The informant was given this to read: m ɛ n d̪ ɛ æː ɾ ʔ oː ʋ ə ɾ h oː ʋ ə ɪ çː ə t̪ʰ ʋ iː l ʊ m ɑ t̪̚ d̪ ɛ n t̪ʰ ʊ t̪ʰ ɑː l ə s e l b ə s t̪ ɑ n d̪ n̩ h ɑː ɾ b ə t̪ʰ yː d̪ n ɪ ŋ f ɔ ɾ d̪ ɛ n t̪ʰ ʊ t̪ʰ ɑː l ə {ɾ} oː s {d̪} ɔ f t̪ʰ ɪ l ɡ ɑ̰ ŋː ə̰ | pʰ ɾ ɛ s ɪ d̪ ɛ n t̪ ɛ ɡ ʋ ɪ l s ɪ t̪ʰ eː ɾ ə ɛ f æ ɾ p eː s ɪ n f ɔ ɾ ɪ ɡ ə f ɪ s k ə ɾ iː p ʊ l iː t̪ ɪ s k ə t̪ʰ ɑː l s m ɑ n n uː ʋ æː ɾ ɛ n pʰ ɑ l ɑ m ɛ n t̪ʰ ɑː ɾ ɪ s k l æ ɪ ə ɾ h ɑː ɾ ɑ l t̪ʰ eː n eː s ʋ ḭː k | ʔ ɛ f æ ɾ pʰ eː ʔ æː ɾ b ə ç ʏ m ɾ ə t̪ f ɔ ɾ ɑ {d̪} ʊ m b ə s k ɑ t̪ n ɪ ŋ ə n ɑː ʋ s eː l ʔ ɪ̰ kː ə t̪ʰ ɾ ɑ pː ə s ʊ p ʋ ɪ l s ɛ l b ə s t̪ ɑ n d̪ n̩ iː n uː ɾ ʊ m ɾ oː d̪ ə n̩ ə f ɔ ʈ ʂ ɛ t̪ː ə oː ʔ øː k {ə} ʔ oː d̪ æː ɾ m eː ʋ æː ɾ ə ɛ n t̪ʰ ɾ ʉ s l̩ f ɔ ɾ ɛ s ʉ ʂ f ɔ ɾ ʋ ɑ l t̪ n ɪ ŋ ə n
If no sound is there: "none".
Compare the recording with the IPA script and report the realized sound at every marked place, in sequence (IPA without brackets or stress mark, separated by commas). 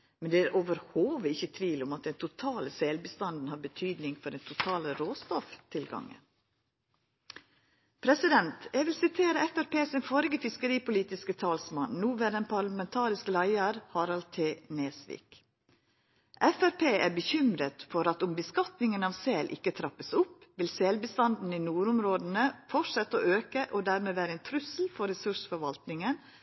ɾ, t̪, t̪, ə